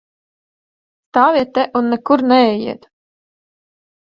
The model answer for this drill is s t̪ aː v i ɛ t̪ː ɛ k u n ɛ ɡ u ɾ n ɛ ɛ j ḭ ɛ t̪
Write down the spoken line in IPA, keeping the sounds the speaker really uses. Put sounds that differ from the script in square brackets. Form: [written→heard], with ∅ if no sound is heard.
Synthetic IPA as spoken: s t̪ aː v i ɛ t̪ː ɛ [k→ʔ] u [n→nː] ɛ [ɡ→k] u ɾ n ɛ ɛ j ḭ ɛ t̪